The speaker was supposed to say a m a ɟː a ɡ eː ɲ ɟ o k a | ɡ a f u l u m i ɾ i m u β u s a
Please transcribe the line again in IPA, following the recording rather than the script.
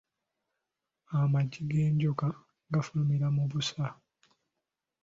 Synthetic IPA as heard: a m a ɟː i ɡ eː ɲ ɟ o k a | ɡ a f u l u m i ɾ a m u β u s a